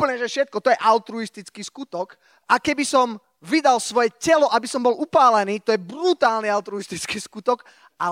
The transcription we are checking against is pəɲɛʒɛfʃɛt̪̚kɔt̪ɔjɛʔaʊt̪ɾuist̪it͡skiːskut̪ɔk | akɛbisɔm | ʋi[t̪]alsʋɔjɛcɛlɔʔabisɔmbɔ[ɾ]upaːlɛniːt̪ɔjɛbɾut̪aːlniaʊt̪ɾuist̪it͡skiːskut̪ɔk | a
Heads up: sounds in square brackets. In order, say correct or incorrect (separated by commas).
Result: incorrect, incorrect